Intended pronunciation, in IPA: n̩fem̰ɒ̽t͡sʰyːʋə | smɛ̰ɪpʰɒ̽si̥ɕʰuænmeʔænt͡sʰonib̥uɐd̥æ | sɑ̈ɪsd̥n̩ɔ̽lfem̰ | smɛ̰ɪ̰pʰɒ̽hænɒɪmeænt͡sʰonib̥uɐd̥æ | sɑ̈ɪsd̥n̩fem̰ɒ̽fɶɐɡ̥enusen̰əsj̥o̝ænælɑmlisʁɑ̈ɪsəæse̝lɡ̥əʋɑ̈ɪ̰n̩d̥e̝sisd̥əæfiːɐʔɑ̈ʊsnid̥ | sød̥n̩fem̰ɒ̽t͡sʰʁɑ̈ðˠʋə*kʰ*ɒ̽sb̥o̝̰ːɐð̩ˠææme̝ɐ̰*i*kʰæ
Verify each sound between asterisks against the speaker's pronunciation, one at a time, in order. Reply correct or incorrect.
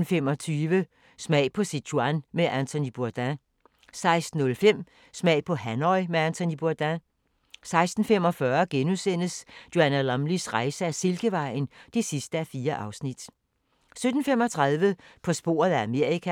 incorrect: pʰ, correct

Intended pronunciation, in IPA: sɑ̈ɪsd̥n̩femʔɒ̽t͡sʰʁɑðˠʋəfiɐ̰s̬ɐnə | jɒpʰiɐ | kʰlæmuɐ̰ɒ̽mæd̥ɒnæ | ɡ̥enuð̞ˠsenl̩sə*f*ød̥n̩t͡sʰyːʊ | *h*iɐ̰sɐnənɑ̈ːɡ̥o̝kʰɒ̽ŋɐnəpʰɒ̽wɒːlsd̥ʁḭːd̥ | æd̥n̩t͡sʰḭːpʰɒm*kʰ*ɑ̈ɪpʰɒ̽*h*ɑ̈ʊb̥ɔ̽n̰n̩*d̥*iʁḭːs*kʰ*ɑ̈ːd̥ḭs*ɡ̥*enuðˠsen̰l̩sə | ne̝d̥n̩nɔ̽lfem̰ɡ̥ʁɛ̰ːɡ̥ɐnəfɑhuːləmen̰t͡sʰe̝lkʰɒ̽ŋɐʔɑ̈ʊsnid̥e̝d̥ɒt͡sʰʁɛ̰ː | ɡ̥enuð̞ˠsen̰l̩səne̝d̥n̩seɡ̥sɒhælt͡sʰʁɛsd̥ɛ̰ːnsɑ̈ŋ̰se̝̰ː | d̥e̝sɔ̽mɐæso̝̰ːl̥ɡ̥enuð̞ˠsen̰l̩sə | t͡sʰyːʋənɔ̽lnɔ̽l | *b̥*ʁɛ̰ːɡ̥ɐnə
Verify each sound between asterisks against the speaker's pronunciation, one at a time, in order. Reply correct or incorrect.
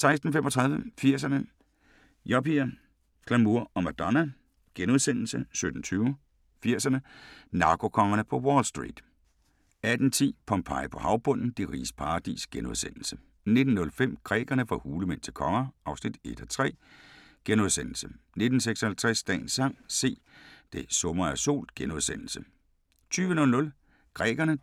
incorrect: s, incorrect: f, incorrect: pʰ, correct, correct, incorrect: pʰ, correct, incorrect: ɡ̥

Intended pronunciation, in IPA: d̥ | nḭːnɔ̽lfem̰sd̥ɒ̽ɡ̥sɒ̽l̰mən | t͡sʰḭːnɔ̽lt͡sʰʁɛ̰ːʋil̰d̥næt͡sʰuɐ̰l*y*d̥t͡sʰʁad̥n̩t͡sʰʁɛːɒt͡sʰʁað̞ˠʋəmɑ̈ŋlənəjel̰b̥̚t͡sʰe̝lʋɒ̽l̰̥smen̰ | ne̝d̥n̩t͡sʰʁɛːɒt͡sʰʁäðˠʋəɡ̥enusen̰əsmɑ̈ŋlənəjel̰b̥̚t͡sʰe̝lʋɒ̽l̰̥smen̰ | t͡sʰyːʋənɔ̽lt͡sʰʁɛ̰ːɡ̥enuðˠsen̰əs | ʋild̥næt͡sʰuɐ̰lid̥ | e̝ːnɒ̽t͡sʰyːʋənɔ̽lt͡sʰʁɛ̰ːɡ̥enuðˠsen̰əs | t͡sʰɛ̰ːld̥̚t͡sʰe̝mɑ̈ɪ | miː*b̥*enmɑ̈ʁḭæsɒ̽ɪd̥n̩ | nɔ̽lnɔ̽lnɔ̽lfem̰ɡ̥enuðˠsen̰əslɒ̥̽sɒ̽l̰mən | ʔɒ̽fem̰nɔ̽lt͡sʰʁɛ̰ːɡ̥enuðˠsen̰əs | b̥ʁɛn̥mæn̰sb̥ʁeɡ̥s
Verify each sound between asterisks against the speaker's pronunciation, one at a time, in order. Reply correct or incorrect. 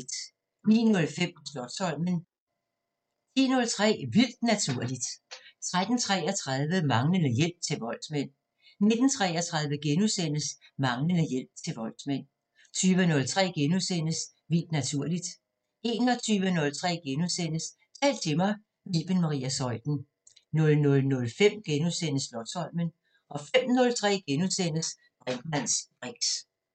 incorrect: i, correct

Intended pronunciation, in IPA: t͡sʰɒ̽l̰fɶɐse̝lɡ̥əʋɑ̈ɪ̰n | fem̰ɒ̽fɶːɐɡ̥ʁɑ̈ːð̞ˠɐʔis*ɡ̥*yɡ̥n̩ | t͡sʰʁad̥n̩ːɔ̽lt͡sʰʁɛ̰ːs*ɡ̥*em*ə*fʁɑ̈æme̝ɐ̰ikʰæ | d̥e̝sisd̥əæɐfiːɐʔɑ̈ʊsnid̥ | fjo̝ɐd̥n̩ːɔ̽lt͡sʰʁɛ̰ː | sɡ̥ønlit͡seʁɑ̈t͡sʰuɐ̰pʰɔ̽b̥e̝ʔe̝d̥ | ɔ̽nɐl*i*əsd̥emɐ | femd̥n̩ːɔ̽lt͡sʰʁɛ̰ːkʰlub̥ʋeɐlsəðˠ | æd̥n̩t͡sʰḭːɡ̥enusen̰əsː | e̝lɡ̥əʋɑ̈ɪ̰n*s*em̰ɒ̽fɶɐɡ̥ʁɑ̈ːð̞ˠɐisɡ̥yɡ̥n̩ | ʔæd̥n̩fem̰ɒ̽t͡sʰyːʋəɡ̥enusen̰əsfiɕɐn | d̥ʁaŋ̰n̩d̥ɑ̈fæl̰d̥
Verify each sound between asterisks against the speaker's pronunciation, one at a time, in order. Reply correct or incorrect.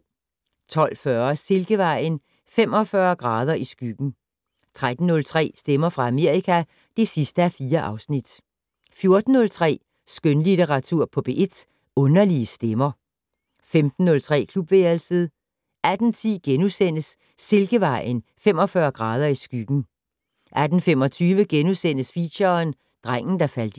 correct, incorrect: d̥, incorrect: ɐ, correct, incorrect: f

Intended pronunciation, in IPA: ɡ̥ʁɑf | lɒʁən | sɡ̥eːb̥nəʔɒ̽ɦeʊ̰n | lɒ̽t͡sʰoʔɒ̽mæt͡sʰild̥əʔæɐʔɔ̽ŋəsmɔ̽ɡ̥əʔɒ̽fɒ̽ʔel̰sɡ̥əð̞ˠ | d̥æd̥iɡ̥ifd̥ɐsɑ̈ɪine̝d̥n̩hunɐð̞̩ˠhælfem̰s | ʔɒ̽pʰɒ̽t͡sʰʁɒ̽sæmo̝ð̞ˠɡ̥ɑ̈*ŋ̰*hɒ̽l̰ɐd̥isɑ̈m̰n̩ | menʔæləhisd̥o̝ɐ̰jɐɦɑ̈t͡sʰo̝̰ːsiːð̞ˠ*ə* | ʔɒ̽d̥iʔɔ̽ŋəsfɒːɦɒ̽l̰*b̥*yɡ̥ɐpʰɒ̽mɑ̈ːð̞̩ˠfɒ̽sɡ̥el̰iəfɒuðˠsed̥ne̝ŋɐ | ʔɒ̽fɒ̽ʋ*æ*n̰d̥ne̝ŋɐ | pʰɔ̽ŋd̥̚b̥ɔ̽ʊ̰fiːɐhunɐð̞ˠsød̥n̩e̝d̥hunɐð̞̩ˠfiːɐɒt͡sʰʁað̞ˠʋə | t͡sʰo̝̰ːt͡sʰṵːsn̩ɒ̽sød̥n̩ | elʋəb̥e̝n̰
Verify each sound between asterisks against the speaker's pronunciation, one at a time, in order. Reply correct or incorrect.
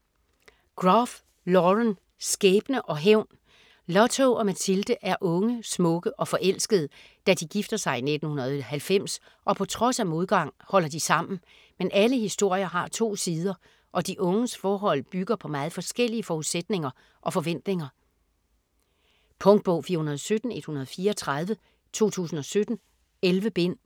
correct, incorrect: ɐ, correct, incorrect: e

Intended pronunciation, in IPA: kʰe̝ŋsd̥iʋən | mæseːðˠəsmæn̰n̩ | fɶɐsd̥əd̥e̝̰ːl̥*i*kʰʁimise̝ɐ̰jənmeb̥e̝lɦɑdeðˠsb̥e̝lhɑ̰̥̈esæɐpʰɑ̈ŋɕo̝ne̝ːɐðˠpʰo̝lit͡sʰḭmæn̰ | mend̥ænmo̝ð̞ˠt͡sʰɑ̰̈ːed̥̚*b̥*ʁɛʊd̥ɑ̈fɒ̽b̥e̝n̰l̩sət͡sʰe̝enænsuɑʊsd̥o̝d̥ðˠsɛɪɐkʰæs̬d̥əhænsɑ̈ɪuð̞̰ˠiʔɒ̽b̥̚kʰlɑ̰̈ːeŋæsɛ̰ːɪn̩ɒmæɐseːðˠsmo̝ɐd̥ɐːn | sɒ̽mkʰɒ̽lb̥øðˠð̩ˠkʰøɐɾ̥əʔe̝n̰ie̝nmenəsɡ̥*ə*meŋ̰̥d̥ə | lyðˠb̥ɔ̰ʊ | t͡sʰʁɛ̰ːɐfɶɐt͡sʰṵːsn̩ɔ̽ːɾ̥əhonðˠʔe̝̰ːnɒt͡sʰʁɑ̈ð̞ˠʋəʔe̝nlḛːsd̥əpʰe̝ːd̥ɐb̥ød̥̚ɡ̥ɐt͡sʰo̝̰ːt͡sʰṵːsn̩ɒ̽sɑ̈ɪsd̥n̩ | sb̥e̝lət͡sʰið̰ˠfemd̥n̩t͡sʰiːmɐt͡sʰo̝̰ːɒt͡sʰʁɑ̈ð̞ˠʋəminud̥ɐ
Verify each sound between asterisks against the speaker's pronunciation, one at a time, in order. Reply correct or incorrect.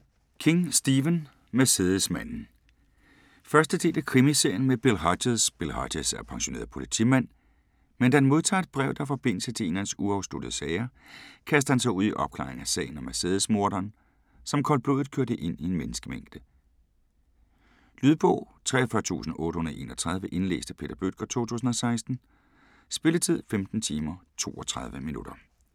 incorrect: æ, correct, correct

